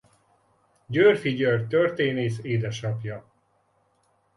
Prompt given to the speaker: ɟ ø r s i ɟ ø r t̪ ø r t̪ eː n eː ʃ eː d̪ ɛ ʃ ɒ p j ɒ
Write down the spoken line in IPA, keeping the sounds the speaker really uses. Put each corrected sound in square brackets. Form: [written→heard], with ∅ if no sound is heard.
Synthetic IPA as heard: ɟ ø r [s→f] i ɟ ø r t̪ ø r t̪ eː n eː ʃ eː d̪ ɛ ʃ ɒ p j ɒ